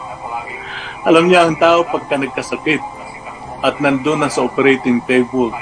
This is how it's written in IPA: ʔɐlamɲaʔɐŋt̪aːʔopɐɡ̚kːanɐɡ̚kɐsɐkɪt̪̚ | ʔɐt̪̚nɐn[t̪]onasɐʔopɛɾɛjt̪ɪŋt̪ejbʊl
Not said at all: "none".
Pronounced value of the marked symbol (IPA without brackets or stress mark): d̪